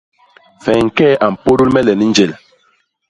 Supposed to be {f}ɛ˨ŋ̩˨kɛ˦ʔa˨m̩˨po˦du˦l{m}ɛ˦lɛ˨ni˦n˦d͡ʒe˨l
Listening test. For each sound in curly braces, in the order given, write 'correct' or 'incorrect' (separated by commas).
correct, correct